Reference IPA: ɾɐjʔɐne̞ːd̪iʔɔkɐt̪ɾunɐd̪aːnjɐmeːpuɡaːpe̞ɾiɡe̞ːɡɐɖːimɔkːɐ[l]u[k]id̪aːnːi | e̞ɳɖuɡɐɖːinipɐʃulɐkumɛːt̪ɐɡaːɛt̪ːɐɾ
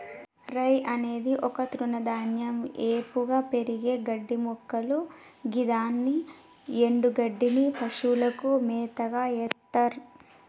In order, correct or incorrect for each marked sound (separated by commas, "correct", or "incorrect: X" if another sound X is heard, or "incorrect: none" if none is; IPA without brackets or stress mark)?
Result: correct, incorrect: ɡ